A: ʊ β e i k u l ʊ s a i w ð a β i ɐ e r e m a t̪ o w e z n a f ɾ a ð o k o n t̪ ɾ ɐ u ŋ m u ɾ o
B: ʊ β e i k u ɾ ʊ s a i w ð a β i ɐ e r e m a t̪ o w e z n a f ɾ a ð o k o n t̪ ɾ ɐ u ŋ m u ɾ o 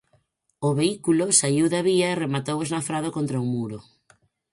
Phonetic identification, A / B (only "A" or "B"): A